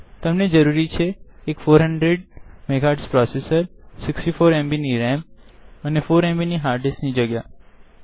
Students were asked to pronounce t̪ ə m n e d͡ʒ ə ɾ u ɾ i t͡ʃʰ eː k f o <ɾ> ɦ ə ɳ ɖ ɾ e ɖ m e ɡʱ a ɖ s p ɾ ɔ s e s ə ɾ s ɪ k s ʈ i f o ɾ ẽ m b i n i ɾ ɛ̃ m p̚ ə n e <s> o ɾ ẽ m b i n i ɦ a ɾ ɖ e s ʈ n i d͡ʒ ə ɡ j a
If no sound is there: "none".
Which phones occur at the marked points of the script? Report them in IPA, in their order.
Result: ɾ, f

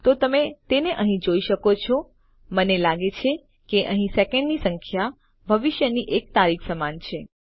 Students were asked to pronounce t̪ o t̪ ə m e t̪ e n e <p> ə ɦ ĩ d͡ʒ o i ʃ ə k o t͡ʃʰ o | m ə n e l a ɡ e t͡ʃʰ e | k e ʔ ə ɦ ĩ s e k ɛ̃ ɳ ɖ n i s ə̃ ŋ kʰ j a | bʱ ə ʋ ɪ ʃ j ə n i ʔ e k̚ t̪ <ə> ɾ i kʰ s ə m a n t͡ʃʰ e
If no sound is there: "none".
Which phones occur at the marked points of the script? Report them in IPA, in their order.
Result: ʔ, a

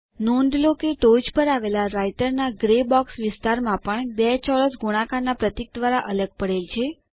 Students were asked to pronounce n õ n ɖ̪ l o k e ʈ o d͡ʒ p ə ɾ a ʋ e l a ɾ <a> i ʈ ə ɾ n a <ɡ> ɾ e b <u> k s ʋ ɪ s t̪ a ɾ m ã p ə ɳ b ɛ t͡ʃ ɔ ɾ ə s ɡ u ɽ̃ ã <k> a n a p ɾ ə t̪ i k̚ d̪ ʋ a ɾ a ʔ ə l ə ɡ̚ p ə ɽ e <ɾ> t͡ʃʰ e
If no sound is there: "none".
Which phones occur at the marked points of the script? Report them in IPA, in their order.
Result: a, ɡ, ɔ, k, l

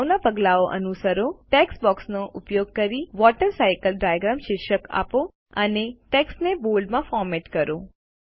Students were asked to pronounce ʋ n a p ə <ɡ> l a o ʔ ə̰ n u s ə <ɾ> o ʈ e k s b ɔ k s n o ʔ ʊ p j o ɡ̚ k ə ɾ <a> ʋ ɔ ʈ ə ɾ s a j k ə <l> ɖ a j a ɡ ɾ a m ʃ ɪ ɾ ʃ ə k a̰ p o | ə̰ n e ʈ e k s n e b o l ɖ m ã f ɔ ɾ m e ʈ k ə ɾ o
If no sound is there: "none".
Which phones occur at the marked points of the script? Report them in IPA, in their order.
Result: ɡ, ɾ, i, l

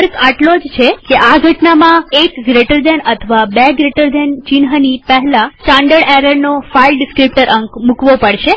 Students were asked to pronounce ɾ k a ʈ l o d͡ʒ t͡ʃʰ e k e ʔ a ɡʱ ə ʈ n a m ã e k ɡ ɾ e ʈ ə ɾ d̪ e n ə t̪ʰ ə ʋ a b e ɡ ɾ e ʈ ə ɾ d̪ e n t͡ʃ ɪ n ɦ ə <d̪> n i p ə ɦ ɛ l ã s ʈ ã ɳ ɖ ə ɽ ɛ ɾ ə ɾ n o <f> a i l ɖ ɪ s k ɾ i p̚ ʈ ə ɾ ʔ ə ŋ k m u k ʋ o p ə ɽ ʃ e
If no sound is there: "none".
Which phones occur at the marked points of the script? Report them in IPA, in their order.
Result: none, f

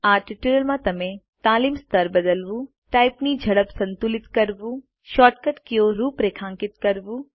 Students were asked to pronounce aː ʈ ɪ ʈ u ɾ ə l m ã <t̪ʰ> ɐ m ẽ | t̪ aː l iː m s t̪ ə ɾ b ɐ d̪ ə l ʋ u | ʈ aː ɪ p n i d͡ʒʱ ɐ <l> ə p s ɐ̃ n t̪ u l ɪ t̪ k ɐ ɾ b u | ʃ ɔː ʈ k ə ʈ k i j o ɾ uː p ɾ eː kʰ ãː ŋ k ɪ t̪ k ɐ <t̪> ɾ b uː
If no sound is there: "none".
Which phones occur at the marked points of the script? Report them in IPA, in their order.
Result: t̪, ɽ, none

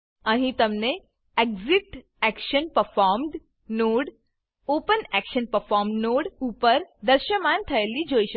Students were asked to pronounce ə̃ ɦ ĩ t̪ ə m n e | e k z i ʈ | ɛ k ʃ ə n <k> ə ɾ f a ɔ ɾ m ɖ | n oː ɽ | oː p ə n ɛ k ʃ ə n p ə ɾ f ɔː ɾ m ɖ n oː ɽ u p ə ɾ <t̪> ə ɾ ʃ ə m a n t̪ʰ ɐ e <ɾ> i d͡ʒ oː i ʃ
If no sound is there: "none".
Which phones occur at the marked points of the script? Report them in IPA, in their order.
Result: p, d̪, l

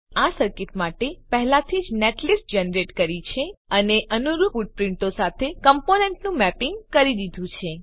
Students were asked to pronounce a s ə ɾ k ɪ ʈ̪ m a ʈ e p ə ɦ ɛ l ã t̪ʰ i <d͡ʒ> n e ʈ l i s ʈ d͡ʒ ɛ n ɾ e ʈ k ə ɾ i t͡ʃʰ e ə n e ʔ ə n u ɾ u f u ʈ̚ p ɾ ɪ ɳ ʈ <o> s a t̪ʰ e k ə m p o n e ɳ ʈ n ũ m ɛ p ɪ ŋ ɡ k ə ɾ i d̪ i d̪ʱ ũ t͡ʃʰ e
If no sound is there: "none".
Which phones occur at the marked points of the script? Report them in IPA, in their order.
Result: d͡ʒ, o

